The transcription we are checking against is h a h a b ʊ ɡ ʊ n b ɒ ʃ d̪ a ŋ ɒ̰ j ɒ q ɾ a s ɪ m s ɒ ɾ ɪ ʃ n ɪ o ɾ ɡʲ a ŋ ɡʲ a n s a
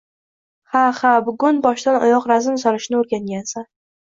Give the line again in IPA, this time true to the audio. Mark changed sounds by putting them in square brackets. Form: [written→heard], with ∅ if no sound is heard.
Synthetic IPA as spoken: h a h a b ʊ ɡ ʊ n b ɒ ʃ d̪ a [ŋ→n] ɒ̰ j ɒ q ɾ a [s→z] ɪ m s ɒ ɾ ɪ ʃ n ɪ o ɾ ɡʲ a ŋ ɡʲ a n s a